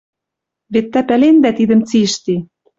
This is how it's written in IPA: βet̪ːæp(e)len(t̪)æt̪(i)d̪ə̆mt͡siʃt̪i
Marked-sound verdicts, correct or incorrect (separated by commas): incorrect, incorrect, correct